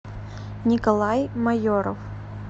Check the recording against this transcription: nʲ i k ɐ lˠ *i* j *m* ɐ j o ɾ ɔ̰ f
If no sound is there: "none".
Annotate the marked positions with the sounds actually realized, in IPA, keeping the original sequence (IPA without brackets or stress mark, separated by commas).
a, m